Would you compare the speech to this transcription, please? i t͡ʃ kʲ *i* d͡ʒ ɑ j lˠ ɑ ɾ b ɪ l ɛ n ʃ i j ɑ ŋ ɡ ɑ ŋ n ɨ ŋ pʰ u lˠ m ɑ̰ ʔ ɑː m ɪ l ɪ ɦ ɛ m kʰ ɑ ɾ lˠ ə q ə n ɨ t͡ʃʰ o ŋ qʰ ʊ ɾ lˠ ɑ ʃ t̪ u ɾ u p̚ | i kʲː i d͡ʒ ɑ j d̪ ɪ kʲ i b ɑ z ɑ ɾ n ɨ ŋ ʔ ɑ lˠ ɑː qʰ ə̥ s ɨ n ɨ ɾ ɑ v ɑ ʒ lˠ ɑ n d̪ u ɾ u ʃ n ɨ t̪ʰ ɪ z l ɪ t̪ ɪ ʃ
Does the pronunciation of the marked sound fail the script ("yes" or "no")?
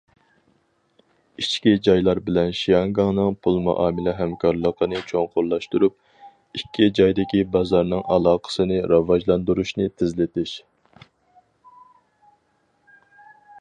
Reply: no